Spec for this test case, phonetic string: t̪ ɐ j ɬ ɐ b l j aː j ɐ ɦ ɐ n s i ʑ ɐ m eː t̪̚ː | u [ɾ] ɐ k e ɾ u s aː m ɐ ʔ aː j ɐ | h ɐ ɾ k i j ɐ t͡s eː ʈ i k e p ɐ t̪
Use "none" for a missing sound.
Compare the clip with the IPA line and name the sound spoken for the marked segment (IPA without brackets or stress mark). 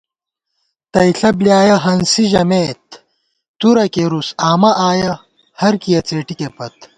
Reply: ɾ